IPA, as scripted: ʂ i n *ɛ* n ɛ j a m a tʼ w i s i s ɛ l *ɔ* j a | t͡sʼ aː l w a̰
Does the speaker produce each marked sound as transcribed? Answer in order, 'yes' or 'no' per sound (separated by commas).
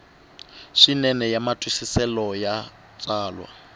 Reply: yes, yes